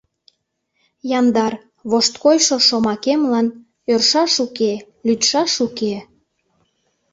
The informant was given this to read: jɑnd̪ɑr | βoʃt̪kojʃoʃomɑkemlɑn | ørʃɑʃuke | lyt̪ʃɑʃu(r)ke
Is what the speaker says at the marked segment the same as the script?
no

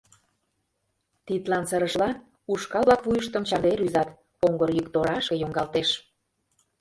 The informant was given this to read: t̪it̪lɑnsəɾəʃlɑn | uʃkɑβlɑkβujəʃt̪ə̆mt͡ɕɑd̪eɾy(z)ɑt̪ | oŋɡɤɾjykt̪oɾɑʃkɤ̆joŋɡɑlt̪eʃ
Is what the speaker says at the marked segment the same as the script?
yes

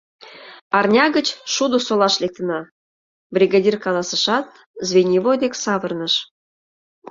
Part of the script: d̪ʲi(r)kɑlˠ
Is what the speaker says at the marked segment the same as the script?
yes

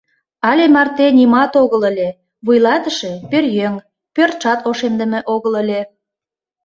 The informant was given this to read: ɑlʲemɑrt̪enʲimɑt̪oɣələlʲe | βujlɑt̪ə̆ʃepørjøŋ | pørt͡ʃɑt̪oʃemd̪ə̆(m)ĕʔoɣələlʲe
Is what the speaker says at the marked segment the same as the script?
yes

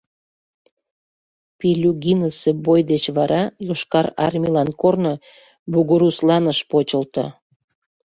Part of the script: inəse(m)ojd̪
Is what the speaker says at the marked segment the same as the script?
no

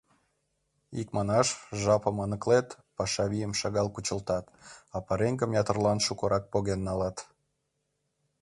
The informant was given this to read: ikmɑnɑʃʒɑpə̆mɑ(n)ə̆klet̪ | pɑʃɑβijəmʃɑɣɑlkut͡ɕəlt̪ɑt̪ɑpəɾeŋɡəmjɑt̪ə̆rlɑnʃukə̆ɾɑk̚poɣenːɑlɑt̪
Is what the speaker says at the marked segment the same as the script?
yes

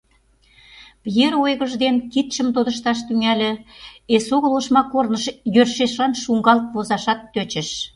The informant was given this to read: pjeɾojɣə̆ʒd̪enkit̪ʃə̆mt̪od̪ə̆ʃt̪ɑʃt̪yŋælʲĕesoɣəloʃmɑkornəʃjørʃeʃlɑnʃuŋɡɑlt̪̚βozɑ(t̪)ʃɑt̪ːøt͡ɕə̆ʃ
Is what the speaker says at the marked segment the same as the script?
no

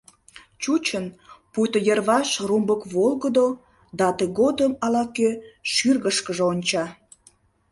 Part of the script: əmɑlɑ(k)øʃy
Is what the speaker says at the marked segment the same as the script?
yes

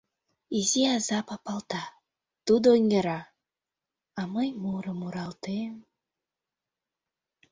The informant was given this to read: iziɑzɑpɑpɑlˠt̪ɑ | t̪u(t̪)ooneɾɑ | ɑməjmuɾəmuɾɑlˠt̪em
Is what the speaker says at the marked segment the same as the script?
no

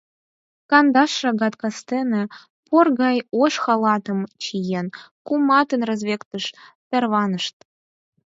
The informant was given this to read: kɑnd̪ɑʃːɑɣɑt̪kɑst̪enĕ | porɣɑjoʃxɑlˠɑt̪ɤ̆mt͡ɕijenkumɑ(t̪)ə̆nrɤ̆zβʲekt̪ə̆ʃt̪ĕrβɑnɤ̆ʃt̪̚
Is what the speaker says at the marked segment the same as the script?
yes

